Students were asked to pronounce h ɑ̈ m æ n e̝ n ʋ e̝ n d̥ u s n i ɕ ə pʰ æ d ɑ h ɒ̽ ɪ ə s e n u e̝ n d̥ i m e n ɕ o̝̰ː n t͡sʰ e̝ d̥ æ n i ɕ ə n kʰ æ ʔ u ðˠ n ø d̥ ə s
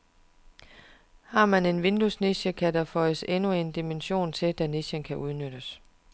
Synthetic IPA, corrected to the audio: h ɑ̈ m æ n e̝ n ʋ e̝ n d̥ u s n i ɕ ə kʰ æ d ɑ f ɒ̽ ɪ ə s e n u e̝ n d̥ i m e n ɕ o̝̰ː n t͡sʰ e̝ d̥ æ n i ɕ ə n kʰ æ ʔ u ðˠ n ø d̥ ə s